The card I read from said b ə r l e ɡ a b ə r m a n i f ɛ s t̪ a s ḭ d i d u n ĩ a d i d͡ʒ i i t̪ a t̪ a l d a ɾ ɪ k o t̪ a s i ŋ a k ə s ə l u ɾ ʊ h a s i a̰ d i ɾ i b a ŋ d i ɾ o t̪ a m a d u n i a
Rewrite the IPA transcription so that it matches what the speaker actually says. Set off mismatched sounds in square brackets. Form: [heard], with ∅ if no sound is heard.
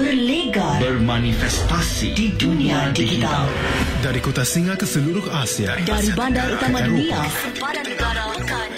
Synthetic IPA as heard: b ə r l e ɡ a b ə r m a n i f ɛ s t̪ a s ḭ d i d u n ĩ a d i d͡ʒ i i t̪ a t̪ a l d a ɾ [i] k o t̪ a s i ŋ a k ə s ə l u ɾ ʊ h a s i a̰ d [a] ɾ i b a [n] d [a] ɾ [u] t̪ a m a d u n i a